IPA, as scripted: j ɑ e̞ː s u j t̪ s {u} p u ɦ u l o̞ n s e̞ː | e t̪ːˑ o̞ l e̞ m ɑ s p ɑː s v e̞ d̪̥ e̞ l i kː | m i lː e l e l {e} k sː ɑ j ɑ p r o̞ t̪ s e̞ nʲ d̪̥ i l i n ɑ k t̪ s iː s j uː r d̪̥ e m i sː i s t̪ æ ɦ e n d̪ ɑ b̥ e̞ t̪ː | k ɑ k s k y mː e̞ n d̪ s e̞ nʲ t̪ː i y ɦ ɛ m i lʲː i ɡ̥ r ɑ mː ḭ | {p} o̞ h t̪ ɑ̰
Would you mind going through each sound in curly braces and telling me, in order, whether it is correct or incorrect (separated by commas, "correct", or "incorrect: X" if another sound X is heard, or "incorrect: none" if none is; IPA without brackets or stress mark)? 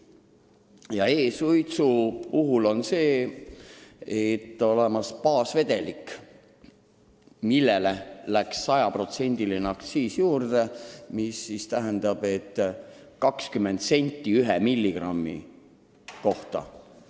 correct, incorrect: æ, incorrect: k